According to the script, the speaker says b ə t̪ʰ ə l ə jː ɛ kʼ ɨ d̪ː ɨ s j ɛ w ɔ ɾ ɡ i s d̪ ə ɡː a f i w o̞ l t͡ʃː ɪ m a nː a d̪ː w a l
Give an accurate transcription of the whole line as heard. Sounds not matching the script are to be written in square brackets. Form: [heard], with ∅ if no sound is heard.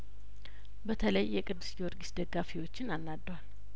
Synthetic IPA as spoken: b ə t̪ʰ ə l ə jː ɛ kʼ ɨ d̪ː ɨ s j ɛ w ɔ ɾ ɡ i s d̪ ə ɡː a f i w o̞ [∅] t͡ʃː ɪ [n] a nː a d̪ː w a l